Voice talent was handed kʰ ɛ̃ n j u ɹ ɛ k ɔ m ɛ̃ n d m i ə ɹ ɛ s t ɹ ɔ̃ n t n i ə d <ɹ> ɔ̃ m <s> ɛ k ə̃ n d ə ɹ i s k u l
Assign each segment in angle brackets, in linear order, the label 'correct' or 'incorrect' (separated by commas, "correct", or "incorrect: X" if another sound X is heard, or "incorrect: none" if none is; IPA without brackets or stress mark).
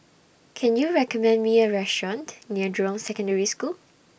correct, correct